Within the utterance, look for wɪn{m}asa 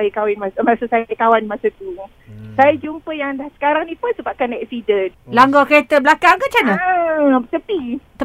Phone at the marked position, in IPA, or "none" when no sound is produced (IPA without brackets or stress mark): m